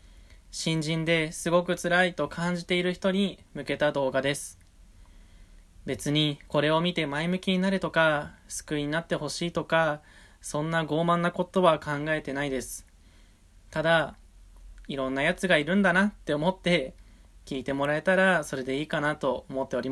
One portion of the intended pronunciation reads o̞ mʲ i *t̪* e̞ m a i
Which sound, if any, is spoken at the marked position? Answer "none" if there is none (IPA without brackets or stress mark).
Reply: t̪